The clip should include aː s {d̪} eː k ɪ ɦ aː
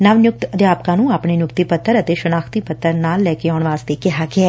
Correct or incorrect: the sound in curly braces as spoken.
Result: incorrect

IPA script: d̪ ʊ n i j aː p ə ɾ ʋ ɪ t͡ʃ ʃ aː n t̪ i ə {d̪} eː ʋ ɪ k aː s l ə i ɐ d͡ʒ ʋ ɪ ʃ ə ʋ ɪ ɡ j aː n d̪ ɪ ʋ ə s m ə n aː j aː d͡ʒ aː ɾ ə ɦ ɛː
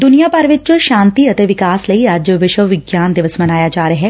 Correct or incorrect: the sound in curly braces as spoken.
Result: incorrect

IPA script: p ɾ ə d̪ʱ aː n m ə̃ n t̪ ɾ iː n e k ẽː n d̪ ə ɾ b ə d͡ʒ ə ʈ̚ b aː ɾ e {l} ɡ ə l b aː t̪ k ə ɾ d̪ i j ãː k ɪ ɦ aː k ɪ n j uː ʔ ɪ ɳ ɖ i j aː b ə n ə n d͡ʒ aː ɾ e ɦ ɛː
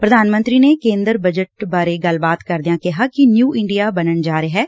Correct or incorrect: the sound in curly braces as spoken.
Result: incorrect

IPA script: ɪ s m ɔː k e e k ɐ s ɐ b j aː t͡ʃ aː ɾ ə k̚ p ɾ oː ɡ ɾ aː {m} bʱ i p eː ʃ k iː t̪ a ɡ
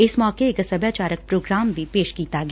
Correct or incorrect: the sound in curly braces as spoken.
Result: correct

